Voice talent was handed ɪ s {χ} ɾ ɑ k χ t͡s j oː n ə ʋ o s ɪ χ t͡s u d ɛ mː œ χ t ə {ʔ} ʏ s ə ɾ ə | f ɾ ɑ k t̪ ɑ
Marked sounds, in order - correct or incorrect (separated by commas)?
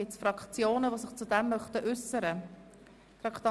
incorrect, correct